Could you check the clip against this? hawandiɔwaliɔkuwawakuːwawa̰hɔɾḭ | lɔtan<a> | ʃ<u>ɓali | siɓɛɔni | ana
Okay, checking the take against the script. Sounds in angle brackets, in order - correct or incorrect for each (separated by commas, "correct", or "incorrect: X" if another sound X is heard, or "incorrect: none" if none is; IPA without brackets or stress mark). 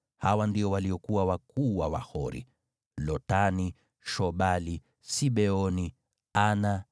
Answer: incorrect: i, incorrect: ɔ